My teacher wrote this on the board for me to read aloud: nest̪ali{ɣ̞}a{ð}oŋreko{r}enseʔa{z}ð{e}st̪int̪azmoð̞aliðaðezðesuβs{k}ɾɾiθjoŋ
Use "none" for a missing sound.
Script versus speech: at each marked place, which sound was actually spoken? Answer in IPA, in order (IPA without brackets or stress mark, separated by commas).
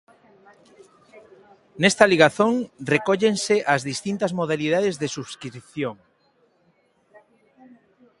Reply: ɣ̞, θ, ʎ, z, i, k